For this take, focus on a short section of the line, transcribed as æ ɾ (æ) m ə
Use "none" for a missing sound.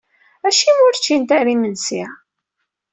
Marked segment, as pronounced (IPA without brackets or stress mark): i